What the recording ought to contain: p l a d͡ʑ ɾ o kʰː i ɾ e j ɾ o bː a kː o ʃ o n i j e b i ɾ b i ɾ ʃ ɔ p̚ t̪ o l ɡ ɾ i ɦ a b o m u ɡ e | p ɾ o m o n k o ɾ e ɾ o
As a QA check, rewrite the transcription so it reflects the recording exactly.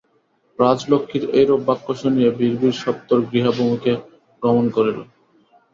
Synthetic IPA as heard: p ɾ a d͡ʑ l o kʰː i ɾ e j ɾ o bː a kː o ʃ o n i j e b i ɾ b i ɾ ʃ ɔ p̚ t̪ o ɾ ɡ ɾ i ɦ a b o m u k e | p ɾ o m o n k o ɾ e l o